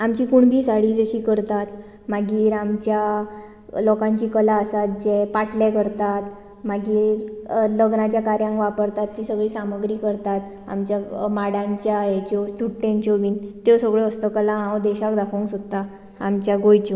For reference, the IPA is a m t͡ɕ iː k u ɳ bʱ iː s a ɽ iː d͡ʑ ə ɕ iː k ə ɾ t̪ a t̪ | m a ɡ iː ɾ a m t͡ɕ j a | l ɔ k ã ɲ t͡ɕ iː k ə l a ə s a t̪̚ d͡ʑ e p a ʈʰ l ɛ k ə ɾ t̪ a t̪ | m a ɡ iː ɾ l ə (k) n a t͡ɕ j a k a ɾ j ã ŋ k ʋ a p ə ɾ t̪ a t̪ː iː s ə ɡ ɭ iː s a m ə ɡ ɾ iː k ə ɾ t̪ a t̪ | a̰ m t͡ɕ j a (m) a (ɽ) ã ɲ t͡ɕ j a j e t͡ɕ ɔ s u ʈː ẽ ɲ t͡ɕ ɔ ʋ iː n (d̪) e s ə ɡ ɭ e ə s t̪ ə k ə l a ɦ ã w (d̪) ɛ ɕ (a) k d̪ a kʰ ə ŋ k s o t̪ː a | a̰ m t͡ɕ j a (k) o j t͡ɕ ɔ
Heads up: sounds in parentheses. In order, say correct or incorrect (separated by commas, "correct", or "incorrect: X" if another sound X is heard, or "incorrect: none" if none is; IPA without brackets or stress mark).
incorrect: ɡ, correct, correct, incorrect: t̪, correct, correct, incorrect: ɡ